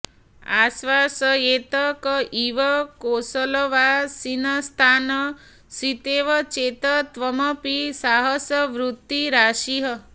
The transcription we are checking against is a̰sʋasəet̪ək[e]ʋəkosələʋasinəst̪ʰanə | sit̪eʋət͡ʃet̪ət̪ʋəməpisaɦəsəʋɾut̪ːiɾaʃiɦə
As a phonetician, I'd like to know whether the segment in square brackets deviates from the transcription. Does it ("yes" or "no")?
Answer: yes